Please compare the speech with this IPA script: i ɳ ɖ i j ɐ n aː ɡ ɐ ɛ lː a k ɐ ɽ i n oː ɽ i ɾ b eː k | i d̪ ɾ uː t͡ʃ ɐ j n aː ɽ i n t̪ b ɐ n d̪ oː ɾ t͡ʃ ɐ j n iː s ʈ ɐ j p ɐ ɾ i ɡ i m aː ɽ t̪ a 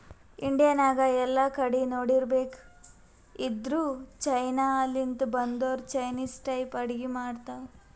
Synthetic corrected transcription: i ɳ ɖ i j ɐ n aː ɡ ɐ ɛ lː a k ɐ ɽ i n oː ɽ i ɾ b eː k | i d̪ ɾ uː t͡ʃ ɐ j n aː l i n t̪ b ɐ n d̪ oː ɾ t͡ʃ ɐ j n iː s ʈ ɐ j p ɐ ɽ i ɡ i m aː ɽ t̪ a